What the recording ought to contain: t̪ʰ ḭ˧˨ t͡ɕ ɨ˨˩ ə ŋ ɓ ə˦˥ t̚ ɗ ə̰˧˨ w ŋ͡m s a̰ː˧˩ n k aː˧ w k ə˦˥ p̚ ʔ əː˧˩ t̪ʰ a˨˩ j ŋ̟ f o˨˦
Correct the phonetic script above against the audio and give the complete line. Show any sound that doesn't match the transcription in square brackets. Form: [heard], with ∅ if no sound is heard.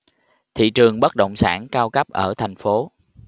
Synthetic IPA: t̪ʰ ḭ˧˨ t͡ɕ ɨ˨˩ ə ŋ ɓ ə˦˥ t̚ ɗ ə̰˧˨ w ŋ͡m s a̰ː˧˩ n k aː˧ w k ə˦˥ p̚ ʔ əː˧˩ t̪ʰ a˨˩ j ŋ̟ f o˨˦

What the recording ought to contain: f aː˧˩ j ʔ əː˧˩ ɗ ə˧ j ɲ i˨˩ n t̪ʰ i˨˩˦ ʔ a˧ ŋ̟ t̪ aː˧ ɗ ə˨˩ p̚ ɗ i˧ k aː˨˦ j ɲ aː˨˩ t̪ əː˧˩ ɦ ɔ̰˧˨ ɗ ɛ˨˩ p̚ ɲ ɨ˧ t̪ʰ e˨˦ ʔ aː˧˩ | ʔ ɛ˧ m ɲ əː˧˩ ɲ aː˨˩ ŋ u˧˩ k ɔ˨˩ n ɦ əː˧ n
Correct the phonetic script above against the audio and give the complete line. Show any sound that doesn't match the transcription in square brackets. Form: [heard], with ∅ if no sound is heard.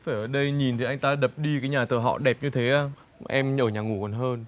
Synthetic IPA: f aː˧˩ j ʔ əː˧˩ ɗ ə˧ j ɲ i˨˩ n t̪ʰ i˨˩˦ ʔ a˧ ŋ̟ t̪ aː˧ ɗ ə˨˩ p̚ ɗ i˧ k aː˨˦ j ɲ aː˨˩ t̪ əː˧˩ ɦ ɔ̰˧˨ ɗ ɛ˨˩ p̚ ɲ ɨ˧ t̪ʰ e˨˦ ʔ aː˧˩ | ʔ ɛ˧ m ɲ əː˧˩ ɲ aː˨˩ ŋ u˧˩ k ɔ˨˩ n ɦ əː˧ n

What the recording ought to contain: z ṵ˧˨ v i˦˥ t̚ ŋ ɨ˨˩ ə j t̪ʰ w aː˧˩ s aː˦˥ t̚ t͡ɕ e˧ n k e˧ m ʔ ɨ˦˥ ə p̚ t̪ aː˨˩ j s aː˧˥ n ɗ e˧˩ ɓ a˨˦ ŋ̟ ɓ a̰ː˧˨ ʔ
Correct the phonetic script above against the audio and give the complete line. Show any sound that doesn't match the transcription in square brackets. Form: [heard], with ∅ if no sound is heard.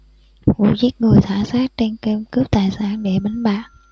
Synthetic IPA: [v] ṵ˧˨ [z] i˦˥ t̚ ŋ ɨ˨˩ ə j t̪ʰ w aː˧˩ s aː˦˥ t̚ t͡ɕ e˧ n k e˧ m [k] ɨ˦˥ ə p̚ t̪ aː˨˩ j s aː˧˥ n ɗ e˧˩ ɓ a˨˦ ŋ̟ ɓ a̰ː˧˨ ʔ

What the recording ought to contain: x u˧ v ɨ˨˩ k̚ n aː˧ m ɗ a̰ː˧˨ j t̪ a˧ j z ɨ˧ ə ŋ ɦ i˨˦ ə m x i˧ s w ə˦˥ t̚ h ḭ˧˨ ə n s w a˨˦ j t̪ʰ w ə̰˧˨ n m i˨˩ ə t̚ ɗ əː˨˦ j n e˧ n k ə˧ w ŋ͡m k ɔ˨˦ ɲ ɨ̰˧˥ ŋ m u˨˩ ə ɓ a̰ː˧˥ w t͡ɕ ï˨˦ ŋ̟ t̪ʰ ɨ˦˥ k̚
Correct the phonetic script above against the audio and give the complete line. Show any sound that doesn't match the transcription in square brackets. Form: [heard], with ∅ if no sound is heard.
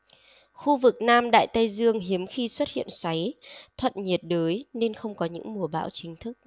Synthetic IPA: x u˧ v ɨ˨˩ k̚ n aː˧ m ɗ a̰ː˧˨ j t̪ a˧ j z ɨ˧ ə ŋ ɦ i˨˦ ə m x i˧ s w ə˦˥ t̚ h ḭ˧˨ ə n s w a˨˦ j t̪ʰ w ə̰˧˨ n [ɲ] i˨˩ ə t̚ ɗ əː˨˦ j n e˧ n [x] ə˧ w ŋ͡m k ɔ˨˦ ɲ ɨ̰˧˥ ŋ m u˨˩ ə ɓ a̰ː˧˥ w t͡ɕ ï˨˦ ŋ̟ t̪ʰ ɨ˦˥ k̚

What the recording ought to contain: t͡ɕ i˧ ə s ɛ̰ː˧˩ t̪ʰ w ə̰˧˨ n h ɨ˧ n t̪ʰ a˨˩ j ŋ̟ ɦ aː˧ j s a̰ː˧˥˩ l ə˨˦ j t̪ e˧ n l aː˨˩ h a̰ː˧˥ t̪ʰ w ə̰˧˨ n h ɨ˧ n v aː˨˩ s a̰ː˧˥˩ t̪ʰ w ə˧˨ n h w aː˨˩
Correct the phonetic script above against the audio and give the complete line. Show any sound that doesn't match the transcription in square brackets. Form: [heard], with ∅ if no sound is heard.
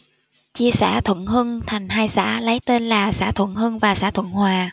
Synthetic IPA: t͡ɕ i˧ ə s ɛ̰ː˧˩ t̪ʰ w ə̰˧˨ n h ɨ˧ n t̪ʰ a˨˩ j ŋ̟ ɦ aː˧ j s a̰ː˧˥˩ l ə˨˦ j t̪ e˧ n l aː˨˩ [s] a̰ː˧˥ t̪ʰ w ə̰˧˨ n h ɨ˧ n v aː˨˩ s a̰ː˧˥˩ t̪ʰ w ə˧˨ n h w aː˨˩

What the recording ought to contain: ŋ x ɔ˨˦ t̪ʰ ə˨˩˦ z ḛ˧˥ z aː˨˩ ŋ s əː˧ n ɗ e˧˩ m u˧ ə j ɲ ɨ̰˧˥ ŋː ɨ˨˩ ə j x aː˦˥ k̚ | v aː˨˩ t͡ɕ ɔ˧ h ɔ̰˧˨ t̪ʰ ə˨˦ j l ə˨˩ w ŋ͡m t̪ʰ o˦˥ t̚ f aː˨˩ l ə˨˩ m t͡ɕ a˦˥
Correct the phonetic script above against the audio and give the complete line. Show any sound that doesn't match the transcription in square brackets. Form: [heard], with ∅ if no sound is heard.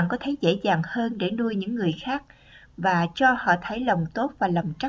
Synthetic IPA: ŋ [k] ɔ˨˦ t̪ʰ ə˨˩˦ z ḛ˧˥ z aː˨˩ ŋ [h] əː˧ n ɗ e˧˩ [n] u˧ ə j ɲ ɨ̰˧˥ ŋː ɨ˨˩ ə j x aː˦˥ k̚ | v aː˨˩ t͡ɕ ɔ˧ h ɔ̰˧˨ t̪ʰ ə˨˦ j l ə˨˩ w ŋ͡m [t̪] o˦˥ t̚ [v] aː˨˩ l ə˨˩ m t͡ɕ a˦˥

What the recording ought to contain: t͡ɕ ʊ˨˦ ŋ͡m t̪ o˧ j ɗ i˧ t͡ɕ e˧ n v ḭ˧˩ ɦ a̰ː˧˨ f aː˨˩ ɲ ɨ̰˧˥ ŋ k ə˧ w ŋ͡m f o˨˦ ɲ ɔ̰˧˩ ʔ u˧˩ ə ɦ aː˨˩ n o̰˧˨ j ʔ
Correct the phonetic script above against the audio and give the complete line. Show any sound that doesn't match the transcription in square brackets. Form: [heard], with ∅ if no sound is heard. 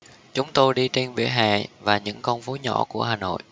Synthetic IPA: t͡ɕ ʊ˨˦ ŋ͡m t̪ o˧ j ɗ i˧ t͡ɕ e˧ n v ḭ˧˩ ɦ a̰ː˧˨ [v] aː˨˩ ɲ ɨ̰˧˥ ŋ k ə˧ w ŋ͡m f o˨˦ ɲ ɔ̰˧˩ [k] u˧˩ ə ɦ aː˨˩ n o̰˧˨ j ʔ

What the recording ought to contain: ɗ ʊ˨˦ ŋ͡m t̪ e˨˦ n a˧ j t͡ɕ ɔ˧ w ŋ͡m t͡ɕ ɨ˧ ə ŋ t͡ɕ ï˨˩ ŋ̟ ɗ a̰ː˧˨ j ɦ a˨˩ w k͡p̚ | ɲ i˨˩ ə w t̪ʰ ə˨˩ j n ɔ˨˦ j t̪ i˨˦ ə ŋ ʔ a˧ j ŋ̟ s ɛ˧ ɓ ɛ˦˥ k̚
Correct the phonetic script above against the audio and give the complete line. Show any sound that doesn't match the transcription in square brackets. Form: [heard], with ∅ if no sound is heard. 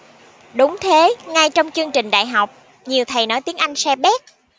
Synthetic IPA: ɗ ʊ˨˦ ŋ͡m [t̪ʰ] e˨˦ [ŋ] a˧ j t͡ɕ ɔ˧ w ŋ͡m t͡ɕ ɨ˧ ə ŋ t͡ɕ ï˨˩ ŋ̟ ɗ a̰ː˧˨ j ɦ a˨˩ w k͡p̚ | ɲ i˨˩ ə w t̪ʰ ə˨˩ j n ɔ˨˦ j t̪ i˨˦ ə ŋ ʔ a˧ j ŋ̟ s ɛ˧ ɓ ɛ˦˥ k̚

